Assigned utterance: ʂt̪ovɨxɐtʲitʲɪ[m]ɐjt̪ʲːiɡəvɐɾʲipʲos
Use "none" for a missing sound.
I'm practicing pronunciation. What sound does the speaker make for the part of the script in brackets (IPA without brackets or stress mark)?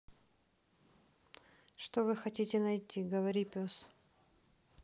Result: n